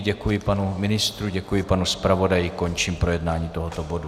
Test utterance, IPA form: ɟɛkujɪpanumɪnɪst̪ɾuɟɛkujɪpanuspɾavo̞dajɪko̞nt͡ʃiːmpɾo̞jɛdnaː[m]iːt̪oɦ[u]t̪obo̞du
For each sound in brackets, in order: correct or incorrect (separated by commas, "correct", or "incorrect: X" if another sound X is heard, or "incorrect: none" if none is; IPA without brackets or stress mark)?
incorrect: ɲ, incorrect: o